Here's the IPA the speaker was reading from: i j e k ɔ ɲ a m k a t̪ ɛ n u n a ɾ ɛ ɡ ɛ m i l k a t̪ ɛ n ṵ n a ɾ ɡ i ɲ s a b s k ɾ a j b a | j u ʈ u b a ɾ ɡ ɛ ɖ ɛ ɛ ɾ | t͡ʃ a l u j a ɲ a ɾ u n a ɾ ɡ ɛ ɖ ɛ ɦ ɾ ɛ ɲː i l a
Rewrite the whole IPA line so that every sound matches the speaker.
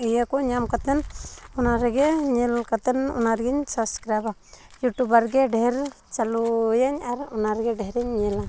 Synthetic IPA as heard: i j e k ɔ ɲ a m k a t̪ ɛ n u n a ɾ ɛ ɡ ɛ ɲ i l k a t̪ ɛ n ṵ n a ɾ ɡ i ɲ s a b s k ɾ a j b a | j u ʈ u b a ɾ ɡ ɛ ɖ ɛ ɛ ɾ | t͡ʃ a l u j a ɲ a ɾ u n a ɾ ɡ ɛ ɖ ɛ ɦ ɾ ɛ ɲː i l a